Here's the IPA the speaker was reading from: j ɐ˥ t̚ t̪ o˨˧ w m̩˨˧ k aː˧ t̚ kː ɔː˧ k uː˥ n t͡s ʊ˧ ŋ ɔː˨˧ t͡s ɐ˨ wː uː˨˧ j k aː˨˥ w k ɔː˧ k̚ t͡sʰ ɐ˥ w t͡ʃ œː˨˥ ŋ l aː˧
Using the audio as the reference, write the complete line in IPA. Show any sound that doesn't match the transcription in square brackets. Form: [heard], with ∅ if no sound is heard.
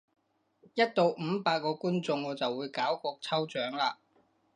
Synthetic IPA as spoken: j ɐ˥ t̚ t̪ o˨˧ w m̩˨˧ [p] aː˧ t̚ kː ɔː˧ k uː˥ n t͡s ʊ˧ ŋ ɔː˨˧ t͡s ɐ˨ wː uː˨˧ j k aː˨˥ w k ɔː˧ k̚ t͡sʰ ɐ˥ w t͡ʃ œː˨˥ ŋ l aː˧